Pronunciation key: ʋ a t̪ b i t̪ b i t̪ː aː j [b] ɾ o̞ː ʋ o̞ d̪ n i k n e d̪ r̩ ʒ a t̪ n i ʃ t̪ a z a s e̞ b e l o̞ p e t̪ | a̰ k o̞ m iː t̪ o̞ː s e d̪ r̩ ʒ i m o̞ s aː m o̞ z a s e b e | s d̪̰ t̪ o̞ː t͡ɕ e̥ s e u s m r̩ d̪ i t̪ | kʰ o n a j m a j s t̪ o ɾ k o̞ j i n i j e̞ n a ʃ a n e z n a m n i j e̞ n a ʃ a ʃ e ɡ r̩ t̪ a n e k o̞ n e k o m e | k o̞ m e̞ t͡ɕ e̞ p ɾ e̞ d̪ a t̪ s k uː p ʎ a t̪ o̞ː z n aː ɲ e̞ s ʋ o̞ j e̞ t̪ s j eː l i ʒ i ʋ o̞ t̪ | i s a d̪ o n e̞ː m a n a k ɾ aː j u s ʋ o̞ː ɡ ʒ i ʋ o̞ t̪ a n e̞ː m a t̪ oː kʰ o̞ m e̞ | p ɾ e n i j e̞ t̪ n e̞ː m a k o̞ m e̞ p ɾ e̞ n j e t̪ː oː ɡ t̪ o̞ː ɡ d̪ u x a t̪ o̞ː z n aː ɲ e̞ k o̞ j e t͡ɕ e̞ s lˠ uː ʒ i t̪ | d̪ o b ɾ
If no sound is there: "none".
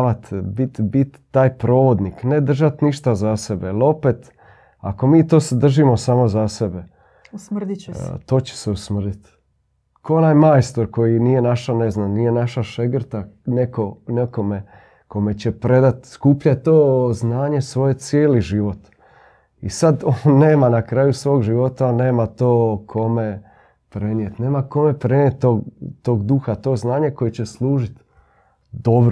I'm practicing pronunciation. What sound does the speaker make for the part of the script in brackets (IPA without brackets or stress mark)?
p